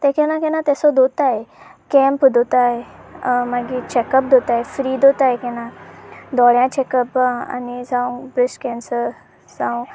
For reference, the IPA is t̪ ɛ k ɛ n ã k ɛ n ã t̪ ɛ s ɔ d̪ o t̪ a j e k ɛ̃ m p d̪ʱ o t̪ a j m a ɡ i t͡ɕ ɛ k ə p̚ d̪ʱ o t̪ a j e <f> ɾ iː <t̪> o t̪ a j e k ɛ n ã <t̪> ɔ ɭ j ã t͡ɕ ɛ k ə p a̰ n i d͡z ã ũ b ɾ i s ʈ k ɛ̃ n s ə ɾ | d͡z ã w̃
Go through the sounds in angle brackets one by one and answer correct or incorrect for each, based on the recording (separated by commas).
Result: correct, incorrect, incorrect